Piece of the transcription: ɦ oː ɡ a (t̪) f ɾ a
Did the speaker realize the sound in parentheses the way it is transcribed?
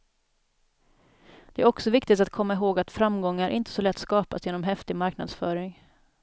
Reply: yes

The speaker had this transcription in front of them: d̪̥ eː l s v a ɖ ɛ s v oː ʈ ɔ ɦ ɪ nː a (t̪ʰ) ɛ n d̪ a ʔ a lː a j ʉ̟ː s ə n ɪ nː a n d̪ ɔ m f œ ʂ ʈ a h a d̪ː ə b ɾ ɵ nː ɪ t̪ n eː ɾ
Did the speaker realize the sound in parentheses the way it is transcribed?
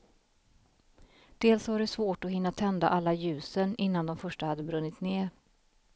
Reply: yes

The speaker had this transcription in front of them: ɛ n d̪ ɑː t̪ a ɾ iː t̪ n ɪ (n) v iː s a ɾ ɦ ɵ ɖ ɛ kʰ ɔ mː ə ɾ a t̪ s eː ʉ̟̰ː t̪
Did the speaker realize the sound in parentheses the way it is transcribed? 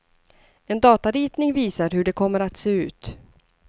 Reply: no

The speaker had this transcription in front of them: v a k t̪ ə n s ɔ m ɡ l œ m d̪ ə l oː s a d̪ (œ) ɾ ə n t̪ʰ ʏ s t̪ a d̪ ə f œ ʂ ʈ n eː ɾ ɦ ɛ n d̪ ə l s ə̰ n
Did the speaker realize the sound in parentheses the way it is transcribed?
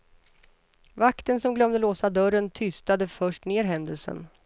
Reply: yes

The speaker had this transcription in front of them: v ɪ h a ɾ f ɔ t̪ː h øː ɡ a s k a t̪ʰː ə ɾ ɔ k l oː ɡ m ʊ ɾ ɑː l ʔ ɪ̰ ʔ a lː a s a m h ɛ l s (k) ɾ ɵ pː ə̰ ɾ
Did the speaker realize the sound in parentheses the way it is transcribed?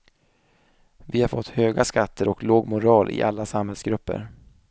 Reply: no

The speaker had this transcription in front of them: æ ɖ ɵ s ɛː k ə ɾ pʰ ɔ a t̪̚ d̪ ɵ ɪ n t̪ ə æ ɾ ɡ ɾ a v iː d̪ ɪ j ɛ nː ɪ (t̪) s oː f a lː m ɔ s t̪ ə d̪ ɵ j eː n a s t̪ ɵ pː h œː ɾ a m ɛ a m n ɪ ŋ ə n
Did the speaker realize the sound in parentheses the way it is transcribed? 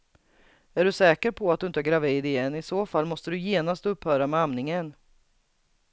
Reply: no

